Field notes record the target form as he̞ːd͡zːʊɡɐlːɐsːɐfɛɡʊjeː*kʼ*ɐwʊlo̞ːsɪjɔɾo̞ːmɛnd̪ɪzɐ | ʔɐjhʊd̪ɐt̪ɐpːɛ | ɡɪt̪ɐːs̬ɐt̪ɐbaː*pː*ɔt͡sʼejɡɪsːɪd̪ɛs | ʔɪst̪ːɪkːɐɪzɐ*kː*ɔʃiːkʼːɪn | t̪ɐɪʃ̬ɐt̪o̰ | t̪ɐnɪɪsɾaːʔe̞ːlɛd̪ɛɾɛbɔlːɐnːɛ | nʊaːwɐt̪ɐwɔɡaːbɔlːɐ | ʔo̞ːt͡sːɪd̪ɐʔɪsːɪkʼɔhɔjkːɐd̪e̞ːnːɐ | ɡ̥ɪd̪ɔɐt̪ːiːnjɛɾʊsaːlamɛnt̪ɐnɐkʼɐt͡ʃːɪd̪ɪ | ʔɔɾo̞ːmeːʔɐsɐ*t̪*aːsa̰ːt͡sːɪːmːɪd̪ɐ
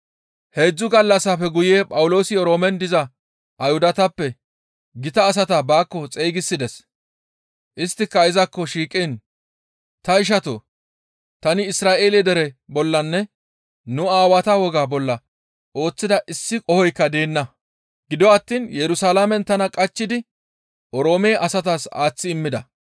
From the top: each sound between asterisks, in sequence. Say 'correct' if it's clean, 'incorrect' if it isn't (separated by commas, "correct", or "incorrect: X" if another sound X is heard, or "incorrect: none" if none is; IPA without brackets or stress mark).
incorrect: pʼ, incorrect: kː, correct, correct